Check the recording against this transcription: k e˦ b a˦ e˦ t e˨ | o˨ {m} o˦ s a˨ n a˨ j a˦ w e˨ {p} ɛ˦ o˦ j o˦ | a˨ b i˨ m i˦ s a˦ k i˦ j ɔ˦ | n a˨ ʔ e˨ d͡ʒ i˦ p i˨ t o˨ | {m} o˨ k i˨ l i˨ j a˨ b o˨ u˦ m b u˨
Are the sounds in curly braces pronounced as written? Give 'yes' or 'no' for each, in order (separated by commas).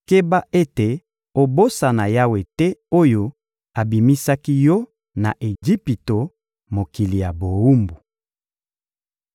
no, no, yes